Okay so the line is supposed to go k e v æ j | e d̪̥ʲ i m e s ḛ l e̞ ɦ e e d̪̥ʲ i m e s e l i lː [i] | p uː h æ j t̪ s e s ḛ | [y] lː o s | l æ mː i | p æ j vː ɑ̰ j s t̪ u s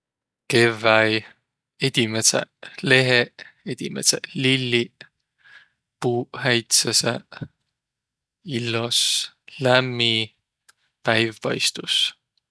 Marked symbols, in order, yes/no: yes, no

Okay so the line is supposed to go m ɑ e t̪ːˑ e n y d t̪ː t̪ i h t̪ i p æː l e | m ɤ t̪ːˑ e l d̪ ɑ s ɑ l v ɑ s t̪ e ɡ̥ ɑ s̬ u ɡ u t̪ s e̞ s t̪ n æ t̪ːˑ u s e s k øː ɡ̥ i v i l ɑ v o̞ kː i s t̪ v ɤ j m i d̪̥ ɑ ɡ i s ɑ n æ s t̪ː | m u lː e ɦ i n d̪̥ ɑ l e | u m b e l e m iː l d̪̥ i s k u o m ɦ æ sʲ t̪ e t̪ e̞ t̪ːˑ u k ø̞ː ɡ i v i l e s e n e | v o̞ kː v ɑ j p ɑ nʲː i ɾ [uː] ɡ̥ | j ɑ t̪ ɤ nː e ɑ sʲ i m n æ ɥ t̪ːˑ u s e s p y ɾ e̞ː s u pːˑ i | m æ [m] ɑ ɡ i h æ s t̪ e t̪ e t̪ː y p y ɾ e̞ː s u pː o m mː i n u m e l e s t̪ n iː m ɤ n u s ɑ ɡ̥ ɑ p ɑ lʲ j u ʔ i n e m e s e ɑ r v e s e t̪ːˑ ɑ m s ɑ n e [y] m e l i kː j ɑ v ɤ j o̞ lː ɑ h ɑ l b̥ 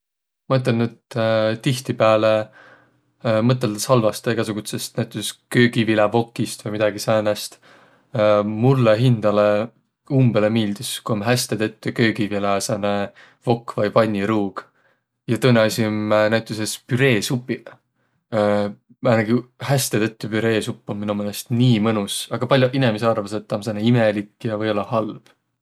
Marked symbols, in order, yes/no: yes, no, no

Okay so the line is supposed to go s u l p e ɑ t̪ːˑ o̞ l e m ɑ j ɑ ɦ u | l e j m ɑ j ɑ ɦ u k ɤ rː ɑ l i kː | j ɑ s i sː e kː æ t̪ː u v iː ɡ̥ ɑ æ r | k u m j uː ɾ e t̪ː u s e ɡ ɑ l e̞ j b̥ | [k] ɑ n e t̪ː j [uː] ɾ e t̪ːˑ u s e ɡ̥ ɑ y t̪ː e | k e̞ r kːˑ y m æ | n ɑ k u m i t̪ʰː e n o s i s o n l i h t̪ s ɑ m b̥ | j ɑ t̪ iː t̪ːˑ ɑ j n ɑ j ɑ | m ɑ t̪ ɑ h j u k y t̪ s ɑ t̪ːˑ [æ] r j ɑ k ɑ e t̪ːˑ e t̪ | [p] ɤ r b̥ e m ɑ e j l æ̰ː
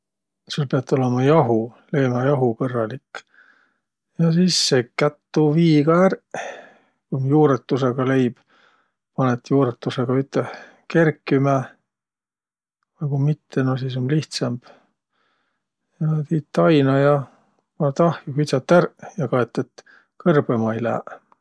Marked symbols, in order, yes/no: no, yes, yes, no

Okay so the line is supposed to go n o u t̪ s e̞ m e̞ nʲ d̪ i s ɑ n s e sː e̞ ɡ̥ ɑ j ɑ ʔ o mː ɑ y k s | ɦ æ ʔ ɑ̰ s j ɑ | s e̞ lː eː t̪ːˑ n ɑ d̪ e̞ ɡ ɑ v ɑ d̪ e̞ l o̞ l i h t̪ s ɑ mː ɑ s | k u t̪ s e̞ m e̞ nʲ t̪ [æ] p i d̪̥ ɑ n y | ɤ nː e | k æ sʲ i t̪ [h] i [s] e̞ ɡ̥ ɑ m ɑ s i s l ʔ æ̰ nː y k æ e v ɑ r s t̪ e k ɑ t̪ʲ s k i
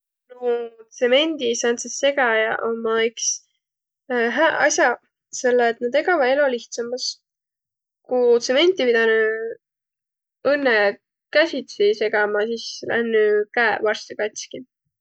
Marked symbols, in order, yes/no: no, no, yes

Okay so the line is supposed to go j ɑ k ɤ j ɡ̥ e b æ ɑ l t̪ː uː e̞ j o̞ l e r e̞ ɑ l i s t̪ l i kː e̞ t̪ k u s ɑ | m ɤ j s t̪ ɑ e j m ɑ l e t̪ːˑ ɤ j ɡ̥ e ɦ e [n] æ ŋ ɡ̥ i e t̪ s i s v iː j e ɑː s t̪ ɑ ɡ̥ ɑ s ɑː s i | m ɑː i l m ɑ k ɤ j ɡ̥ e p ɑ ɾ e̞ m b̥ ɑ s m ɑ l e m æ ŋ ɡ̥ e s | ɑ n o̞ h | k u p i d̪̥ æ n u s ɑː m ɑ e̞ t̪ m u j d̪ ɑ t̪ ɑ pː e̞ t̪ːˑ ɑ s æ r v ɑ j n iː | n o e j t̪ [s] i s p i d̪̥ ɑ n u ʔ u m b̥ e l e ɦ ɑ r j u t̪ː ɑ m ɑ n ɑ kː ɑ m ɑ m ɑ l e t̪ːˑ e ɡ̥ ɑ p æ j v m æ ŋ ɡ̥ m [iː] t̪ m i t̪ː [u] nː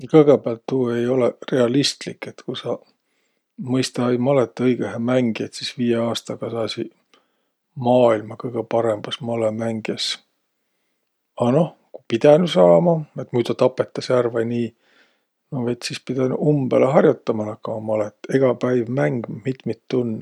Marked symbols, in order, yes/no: no, yes, no, yes

